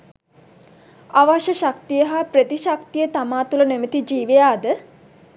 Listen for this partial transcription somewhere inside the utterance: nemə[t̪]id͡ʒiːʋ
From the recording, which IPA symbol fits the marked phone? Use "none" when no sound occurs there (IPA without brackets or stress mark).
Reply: t̪